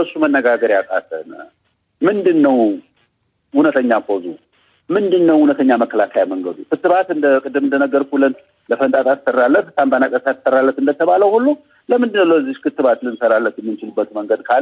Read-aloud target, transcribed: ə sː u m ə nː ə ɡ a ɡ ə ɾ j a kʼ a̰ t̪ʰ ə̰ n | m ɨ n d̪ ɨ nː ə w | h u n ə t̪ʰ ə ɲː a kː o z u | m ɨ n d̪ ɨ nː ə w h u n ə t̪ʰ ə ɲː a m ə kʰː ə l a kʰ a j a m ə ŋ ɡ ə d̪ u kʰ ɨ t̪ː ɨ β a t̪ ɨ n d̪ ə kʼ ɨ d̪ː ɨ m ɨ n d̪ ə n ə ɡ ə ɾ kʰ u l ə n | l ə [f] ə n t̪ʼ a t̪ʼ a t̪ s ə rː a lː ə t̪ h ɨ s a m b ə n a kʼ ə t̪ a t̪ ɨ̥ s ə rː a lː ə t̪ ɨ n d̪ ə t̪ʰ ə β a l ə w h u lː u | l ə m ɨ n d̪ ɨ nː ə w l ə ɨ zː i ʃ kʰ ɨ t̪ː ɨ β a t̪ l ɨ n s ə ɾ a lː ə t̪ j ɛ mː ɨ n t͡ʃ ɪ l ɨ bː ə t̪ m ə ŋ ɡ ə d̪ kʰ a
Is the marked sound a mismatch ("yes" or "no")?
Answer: no